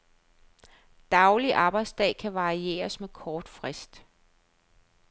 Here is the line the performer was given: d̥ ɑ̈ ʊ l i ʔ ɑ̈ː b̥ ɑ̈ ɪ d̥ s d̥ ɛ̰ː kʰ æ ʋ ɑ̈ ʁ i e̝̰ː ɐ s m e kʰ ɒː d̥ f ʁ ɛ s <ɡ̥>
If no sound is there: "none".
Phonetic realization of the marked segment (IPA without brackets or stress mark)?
d̥